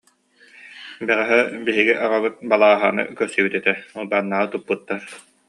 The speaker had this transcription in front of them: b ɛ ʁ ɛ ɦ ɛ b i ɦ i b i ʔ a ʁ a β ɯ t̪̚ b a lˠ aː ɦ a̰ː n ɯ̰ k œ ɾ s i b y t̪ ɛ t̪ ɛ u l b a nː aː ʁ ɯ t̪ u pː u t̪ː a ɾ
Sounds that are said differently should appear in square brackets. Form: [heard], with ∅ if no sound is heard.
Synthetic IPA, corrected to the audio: b ɛ ʁ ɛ ɦ ɛ b i ɦ i [ɡ] i ʔ a ʁ a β ɯ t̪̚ b a lˠ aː ɦ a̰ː n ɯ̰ k œ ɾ s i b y t̪ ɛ t̪ ɛ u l b a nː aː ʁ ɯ t̪ u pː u t̪ː a ɾ